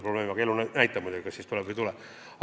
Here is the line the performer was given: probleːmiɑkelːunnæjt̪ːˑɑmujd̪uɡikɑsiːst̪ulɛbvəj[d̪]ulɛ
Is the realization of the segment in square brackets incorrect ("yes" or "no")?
yes